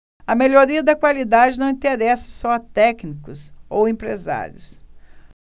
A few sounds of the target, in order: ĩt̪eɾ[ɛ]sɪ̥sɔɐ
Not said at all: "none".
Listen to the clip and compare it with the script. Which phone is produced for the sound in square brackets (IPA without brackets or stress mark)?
ɛ